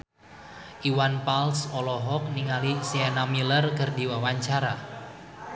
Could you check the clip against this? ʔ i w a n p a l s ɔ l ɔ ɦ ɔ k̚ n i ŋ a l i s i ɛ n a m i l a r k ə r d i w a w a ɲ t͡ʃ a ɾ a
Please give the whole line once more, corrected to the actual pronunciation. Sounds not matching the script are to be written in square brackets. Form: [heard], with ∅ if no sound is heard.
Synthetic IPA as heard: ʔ i w a n p a l s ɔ l ɔ ɦ ɔ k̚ n i ŋ a l i s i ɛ n a m i l [ə] r k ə r d i w a w a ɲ t͡ʃ a ɾ a